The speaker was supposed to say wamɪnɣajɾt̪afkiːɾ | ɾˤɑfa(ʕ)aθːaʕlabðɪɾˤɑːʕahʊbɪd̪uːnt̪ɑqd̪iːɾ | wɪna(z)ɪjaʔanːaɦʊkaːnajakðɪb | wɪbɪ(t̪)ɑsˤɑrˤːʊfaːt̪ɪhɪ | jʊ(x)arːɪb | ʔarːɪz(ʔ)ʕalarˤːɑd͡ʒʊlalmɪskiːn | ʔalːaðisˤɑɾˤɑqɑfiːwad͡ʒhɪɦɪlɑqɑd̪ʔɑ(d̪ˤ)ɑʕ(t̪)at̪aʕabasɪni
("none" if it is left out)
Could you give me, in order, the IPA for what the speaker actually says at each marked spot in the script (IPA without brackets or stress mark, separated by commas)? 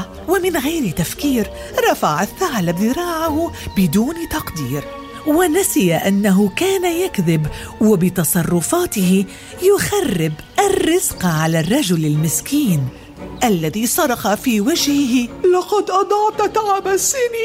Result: ʕ, s, t̪, x, q, d̪ˤ, t̪